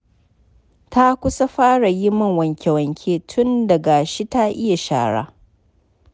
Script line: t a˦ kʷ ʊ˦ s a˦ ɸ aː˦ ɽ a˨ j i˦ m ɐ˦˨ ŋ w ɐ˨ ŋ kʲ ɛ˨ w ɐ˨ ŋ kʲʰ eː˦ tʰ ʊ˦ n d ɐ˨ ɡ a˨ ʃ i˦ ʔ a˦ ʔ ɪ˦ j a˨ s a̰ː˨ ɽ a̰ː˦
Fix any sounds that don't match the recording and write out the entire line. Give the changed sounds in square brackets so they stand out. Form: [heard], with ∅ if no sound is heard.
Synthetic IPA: t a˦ kʷ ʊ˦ s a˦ ɸ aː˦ ɽ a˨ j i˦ m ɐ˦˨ ŋ w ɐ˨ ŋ kʲ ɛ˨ w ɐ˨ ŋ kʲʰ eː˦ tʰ ʊ˦ n d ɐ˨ ɡ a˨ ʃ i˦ [t] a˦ ʔ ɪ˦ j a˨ [ʃ] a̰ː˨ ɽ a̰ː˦

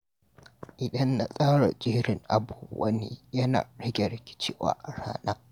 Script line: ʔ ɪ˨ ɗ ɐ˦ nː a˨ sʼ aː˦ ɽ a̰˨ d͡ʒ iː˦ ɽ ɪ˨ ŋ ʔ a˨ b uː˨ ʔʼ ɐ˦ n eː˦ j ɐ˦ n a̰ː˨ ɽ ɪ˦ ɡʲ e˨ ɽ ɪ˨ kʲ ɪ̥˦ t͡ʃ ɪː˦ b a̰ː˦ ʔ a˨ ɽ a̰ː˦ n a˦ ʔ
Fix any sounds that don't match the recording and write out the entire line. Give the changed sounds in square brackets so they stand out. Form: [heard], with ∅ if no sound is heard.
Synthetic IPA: ʔ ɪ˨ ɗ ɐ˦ nː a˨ sʼ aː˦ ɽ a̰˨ d͡ʒ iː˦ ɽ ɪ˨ ŋ ʔ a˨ b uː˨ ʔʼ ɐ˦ n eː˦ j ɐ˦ n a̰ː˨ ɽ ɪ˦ ɡʲ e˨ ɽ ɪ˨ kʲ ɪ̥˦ t͡ʃ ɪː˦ [w] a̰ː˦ ʔ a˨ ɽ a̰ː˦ n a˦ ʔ

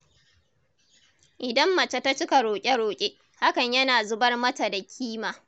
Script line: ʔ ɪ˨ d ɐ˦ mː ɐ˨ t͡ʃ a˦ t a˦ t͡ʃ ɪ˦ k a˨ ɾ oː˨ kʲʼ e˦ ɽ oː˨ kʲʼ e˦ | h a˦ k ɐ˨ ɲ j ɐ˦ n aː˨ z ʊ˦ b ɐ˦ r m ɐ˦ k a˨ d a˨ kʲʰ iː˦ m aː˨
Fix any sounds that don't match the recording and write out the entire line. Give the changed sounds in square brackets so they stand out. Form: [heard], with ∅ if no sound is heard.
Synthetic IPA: ʔ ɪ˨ d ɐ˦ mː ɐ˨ t͡ʃ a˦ t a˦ t͡ʃ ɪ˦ k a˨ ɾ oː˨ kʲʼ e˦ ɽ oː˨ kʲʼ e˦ | h a˦ k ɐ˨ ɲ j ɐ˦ n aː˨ z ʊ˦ b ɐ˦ r m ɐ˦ [t] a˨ d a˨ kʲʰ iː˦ m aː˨

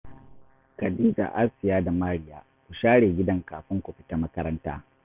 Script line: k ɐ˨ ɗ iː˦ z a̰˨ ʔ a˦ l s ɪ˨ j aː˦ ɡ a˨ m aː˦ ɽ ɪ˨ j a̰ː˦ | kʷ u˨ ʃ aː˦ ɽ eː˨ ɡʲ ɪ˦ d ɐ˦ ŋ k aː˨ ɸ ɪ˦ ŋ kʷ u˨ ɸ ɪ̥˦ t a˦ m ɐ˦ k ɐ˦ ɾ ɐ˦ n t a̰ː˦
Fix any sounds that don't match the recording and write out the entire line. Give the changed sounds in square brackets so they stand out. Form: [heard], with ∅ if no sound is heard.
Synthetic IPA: k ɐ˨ [d] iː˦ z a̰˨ ʔ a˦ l s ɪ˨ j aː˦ [d] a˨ m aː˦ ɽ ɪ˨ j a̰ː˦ | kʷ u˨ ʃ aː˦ ɽ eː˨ ɡʲ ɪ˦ d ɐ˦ ŋ k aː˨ ɸ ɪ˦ ŋ kʷ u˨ ɸ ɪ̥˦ t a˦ m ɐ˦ k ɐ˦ ɾ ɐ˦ n t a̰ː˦

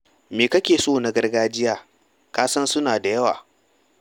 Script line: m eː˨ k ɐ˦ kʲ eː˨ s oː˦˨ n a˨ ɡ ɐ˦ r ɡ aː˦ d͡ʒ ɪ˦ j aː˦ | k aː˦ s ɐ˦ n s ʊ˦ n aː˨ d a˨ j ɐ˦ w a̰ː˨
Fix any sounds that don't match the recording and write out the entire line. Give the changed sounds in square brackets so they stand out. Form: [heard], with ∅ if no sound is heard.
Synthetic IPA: m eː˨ k ɐ˦ kʲ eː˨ s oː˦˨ n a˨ ɡ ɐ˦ r ɡ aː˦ d͡ʒ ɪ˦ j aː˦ | k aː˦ s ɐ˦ n s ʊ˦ n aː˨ d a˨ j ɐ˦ w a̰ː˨

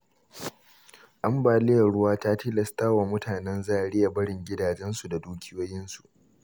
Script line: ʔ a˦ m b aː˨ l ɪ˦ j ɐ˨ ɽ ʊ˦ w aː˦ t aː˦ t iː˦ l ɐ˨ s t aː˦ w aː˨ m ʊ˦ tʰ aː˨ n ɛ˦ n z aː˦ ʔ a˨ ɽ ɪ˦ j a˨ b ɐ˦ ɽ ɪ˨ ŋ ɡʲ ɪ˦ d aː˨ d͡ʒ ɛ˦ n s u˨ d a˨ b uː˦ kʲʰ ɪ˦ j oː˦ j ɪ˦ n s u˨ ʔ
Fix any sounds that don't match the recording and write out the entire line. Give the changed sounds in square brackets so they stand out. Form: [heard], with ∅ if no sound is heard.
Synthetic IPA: ʔ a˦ m b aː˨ l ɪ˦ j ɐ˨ ɽ ʊ˦ w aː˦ t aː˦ t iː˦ l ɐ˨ s t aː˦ w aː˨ m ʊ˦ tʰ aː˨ n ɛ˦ n z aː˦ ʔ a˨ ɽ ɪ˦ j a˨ b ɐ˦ ɽ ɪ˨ ŋ ɡʲ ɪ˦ d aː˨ d͡ʒ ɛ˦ n s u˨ d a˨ [d] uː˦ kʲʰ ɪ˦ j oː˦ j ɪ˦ n s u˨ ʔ

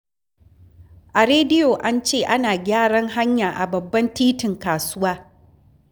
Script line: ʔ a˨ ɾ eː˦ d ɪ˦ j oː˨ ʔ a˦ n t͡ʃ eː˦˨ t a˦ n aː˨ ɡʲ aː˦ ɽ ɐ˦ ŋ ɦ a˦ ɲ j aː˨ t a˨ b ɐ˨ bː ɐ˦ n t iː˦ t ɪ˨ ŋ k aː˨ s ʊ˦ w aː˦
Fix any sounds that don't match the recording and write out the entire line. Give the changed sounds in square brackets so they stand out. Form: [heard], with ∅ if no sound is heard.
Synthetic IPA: ʔ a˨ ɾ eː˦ d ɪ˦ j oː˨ ʔ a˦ n t͡ʃ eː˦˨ [ʔ] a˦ n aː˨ ɡʲ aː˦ ɽ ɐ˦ ŋ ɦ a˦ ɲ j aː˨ [ʔ] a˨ b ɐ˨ bː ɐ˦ n t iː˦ t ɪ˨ ŋ k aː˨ s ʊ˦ w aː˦

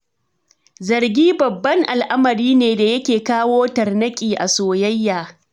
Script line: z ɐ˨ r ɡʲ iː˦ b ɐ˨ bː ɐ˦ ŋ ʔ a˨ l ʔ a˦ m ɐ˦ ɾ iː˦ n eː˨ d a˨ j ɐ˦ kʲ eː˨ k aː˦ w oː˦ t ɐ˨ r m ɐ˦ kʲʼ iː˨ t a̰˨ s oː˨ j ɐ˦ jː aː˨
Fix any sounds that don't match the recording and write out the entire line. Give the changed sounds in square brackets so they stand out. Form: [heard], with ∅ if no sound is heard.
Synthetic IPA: z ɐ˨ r ɡʲ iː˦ b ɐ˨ bː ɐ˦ ŋ ʔ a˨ l ʔ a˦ m [ɐ˨] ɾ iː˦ n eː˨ d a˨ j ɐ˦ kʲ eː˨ k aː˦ w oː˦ t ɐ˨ r [n] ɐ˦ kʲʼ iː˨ [ʔ] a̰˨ s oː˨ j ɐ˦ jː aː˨

